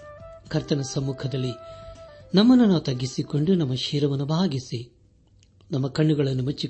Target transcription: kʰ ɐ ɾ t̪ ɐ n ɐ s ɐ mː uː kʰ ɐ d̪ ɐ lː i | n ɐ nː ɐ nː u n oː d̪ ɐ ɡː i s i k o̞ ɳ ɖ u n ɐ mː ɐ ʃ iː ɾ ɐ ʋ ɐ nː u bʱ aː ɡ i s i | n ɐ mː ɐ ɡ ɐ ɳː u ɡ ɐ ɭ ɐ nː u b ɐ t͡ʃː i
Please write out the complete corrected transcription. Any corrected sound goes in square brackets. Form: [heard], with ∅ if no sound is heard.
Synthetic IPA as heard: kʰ ɐ ɾ t̪ ɐ n ɐ s ɐ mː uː kʰ ɐ d̪ ɐ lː i | n ɐ [mː] ɐ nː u n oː [t̪] ɐ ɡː i s i k o̞ ɳ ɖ u n ɐ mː ɐ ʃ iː ɾ ɐ ʋ ɐ nː u bʱ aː ɡ i s i | n ɐ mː ɐ [k] ɐ ɳː u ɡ ɐ ɭ ɐ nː u [m] ɐ t͡ʃː i